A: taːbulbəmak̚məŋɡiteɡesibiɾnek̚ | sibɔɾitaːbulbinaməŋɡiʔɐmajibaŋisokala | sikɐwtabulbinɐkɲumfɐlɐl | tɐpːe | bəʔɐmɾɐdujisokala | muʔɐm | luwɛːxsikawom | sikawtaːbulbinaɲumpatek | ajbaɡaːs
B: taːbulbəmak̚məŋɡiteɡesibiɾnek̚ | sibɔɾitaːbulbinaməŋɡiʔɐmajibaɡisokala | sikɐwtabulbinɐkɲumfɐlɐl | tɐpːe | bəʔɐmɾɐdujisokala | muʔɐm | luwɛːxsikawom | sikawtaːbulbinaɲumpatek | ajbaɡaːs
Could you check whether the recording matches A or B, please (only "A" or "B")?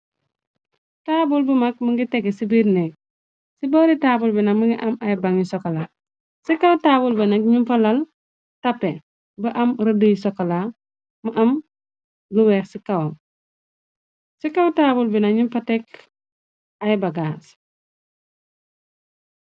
A